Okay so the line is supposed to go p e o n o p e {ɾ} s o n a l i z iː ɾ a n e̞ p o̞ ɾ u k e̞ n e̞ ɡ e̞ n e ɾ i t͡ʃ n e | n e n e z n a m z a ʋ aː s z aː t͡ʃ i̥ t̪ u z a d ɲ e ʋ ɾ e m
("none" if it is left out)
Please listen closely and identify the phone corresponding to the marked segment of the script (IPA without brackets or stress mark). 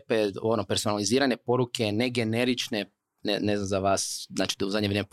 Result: ɾ